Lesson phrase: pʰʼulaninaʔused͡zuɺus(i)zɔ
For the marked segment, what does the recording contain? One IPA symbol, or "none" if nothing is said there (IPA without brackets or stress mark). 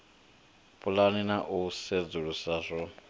a